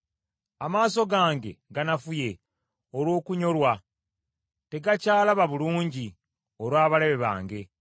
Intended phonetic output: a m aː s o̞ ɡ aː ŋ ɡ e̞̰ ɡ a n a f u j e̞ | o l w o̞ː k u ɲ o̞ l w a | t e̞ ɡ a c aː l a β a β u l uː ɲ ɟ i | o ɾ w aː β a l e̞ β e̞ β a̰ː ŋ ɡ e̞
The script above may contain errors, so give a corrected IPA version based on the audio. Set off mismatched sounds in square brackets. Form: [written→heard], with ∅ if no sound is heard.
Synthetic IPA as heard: a m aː s o̞ ɡ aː ŋ ɡ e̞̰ ɡ a n a f u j e̞ | o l w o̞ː k u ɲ o̞ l w a | t e̞ ɡ a c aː l a β a β u l uː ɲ ɟ i | o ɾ w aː β a l e̞ β e̞ β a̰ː ŋ ɡ e̞